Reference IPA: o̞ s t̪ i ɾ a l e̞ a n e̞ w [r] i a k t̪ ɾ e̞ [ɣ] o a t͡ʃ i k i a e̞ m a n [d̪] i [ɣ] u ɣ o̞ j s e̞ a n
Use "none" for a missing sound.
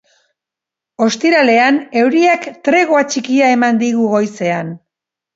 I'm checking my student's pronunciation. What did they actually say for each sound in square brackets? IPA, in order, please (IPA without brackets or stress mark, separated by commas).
ɾ, ɣ, d̪, ɣ